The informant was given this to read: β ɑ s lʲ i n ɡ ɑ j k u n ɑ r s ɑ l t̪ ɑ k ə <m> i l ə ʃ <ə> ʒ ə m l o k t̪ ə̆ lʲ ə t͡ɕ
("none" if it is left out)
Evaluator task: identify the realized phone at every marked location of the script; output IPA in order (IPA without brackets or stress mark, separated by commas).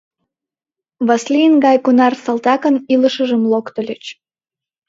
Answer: n, ə